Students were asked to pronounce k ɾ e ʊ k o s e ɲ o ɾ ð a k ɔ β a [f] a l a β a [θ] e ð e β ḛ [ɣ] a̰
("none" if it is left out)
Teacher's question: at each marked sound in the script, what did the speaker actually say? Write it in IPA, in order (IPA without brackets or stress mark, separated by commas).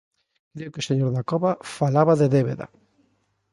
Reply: f, ð, ð